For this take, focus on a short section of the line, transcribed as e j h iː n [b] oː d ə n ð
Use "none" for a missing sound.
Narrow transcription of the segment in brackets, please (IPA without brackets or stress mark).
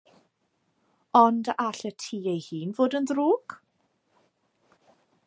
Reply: v